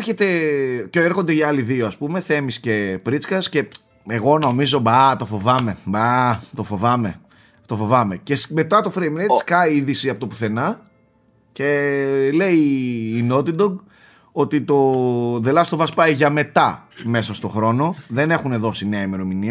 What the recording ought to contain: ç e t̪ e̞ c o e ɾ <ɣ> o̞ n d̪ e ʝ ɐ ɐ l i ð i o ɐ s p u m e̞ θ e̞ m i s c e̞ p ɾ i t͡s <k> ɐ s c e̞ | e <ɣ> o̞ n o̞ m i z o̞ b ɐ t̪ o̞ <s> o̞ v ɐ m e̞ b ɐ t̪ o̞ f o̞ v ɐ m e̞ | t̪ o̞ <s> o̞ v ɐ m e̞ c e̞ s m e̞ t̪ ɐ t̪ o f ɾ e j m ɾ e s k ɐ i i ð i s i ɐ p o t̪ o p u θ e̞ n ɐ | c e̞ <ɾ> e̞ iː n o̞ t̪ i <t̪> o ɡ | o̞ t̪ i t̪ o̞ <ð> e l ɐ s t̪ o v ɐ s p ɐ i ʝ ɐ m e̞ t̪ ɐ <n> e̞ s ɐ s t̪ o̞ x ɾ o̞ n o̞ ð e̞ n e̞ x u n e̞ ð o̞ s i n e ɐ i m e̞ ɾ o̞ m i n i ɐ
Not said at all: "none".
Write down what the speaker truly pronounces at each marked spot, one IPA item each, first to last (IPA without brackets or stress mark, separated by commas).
x, k, ɣ, f, f, l, d̪, ð, m